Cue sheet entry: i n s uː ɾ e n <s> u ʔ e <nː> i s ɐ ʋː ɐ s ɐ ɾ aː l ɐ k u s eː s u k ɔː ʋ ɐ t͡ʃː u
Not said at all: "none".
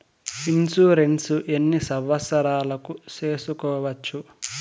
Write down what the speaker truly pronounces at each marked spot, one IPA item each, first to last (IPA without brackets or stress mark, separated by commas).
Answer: s, nː